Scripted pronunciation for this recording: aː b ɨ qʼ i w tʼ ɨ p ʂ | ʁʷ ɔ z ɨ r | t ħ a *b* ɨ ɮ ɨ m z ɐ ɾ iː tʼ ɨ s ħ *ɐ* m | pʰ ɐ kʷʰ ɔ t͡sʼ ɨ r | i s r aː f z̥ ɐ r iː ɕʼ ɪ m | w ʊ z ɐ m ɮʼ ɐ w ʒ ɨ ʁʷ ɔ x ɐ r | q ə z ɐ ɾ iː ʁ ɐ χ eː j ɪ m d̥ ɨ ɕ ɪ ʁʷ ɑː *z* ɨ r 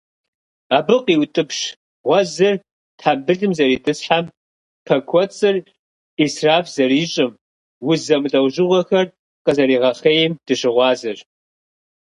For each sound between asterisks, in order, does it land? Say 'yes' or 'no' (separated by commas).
yes, no, yes